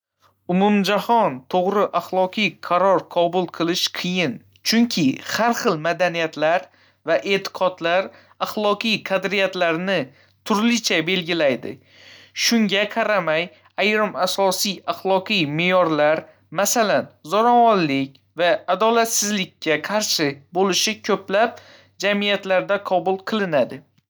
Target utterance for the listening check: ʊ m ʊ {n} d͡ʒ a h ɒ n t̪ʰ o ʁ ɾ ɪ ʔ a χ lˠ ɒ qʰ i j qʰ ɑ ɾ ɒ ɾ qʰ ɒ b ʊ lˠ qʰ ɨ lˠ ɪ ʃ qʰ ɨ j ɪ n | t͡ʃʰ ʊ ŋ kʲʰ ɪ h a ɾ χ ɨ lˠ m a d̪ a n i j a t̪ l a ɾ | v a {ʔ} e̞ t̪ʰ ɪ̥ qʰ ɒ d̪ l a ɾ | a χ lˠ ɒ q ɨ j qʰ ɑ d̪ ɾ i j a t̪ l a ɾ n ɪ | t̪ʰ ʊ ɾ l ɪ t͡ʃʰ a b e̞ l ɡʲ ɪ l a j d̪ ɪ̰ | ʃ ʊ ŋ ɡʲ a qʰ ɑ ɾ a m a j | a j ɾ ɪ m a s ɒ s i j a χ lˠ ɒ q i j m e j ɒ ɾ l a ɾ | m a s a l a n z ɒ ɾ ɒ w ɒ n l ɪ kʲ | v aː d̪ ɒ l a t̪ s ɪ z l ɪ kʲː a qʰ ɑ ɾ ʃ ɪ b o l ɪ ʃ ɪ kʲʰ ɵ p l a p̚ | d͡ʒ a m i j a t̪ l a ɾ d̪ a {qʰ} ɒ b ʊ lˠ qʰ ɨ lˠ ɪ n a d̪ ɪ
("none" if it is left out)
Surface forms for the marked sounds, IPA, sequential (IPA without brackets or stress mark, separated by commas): m, ʔ, qʰ